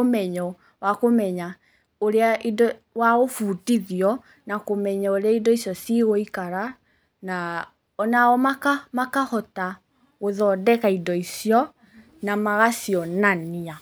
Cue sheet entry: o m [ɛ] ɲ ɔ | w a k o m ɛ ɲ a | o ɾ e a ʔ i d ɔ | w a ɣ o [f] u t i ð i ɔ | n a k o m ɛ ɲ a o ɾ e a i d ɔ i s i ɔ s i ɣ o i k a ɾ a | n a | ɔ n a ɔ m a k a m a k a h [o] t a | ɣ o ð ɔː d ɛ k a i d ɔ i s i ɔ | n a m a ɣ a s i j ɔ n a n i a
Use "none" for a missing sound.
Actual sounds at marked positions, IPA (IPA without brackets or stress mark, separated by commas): ɛ, f, ɔ